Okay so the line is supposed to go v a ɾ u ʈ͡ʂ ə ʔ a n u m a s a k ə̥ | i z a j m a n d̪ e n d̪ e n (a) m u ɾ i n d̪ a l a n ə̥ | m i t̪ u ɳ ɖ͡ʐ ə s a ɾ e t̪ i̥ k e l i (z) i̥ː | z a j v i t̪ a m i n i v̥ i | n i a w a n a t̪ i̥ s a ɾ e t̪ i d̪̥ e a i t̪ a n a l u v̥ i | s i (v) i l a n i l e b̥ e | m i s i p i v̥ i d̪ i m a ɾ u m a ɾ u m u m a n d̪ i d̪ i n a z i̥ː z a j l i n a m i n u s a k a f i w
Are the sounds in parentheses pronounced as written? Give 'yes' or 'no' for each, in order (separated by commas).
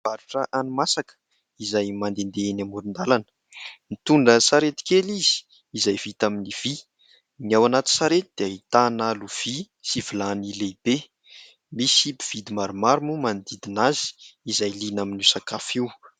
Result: yes, yes, yes